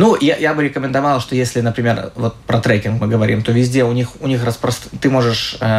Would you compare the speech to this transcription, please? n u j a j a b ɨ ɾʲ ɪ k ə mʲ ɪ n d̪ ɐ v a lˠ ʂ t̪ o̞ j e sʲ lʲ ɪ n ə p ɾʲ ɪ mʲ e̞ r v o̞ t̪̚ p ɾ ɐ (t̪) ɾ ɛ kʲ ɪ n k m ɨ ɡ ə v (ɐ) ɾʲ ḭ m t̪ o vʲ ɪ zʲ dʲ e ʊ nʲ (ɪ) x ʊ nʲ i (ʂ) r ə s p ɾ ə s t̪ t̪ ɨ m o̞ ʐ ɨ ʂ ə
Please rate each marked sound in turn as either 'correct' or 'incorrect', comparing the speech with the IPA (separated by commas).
correct, correct, incorrect, incorrect